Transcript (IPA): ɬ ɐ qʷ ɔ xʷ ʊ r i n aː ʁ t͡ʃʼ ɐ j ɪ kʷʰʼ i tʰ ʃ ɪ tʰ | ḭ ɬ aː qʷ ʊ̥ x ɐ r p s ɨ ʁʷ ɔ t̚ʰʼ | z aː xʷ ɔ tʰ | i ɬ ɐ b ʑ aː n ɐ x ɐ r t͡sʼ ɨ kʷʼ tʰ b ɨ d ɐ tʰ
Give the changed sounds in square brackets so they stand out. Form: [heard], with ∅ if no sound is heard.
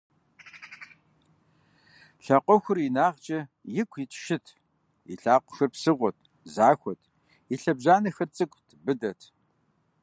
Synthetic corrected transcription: ɬ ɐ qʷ ɔ xʷ ʊ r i n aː ʁ t͡ʃʼ ɐ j ɪ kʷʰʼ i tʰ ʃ ɪ tʰ | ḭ ɬ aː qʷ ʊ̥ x ɐ r p s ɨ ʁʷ ɔ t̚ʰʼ | z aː xʷ ɔ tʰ | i ɬ ɐ b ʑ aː n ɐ x ɐ r t͡sʼ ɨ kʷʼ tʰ b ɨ d ɐ tʰ